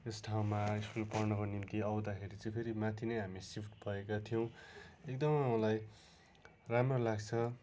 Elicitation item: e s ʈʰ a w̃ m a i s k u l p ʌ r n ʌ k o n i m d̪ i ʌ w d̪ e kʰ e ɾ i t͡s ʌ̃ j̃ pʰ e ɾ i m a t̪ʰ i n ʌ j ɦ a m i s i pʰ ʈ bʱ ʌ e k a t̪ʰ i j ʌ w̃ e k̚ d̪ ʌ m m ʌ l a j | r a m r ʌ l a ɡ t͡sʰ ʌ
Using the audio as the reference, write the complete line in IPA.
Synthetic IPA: e s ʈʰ a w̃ m a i s k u l p ʌ r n ʌ k o n i m t̪ i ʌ w d̪ a kʰ e ɾ i t͡s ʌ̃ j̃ pʰ e ɾ i m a t̪ʰ i n ʌ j ɦ a m i s i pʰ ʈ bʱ ʌ e k a t̪ʰ i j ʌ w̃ e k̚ d̪ ʌ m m ʌ l a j | r a m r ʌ l a ɡ t͡sʰ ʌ